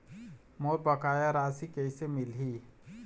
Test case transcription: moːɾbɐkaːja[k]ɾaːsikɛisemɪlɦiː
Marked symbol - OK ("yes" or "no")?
no